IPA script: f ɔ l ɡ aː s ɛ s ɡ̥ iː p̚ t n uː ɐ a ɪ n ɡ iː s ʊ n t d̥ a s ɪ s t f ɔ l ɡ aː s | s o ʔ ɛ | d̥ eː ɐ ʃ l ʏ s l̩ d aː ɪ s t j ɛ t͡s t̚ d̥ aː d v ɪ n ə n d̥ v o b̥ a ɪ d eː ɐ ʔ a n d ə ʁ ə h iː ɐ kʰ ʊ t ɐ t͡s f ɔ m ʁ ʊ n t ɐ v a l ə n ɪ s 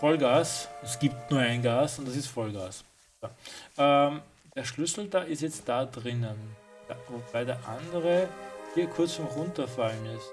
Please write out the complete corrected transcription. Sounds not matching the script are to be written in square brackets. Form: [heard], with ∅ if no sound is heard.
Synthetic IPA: f ɔ l ɡ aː s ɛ s ɡ̥ iː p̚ t n uː ɐ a ɪ n ɡ [aː] s ʊ n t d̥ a s ɪ s t f ɔ l ɡ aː s | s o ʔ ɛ | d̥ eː ɐ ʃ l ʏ s l̩ d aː ɪ s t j ɛ t͡s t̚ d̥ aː d [ʁ] ɪ n ə n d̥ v o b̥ a ɪ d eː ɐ ʔ a n d ə ʁ ə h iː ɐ kʰ ʊ [∅] ɐ t͡s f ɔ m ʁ ʊ n t ɐ [f] a l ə n ɪ s